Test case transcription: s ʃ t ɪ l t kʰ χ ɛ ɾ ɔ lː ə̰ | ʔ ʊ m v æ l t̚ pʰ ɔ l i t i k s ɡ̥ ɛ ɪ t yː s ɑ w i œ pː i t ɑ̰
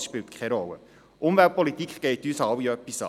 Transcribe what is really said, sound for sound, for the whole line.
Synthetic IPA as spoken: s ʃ p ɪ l t kʰ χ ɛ ɾ ɔ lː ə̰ | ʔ ʊ m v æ l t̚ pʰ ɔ l i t i k χ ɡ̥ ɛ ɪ t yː s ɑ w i œ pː i s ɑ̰